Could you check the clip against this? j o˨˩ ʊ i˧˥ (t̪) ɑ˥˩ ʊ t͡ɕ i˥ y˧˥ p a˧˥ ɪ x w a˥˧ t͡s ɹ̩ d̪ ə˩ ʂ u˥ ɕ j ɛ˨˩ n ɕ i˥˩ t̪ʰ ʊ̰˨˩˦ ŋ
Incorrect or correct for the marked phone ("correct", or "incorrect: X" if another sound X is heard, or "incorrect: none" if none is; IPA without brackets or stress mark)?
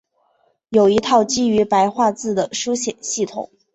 incorrect: t̪ʰ